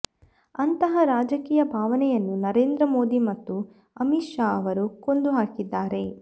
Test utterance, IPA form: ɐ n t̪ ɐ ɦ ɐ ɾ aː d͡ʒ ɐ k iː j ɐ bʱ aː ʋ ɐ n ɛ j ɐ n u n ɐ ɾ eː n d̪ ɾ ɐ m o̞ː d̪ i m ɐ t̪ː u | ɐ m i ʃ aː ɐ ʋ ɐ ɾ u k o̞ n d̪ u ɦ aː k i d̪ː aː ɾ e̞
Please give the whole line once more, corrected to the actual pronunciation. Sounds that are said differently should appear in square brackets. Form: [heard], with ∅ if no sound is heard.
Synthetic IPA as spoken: ɐ n t̪ ɐ ɦ ɐ ɾ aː d͡ʒ ɐ k iː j ɐ bʱ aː ʋ ɐ n ɛ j ɐ [nː] u n ɐ ɾ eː n d̪ ɾ ɐ m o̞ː d̪ i m ɐ t̪ː u | ɐ m i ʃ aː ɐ ʋ ɐ ɾ u k o̞ n d̪ u ɦ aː k i d̪ː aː ɾ e̞